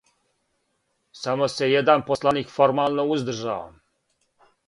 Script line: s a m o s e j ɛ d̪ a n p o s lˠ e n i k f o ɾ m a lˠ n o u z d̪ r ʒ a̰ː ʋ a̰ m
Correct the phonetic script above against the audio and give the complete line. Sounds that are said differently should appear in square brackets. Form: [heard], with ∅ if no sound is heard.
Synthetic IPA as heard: s a m o s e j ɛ d̪ a n p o s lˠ [a] n i k f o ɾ m a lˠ n o u z d̪ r ʒ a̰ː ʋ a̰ m